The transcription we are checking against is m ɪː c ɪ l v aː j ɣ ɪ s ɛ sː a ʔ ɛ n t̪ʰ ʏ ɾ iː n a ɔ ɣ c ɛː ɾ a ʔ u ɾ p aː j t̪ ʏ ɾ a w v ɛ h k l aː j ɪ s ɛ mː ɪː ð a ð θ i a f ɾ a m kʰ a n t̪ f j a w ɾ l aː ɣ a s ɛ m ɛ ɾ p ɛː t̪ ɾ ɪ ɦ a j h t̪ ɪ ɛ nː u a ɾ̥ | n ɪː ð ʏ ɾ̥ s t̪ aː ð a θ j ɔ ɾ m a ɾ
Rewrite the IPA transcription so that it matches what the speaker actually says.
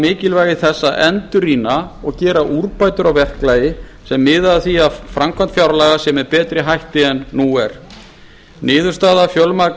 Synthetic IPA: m ɪː c ɪ l v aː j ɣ ɪ θ ɛ sː a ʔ ɛ n t̪ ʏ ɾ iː n a ɔ ɣ c ɛː ɾ a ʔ u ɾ p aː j t̪ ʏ ɾ a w v ɛ h k l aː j ɪ s ɛ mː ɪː ð a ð θ i a f ɾ a m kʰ a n t̪ f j a w ɾ l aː ɣ a s ɛ m ɛ ɾ p ɛː t̪ ɾ ɪ ɦ a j h t̪ ɪ ɛ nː u ɛ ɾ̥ | n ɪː ð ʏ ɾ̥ s t̪ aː ð a f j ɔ l m a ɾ